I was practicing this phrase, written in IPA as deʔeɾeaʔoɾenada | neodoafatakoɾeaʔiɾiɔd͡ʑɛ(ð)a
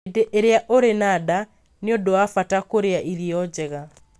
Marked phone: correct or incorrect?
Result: incorrect